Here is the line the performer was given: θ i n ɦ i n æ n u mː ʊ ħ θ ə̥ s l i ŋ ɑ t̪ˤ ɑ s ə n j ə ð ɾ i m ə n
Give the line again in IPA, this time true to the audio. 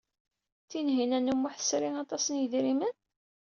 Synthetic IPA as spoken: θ i n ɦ i n æ n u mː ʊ ħ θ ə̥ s ɾ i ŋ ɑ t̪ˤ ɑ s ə n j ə ð ɾ i m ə n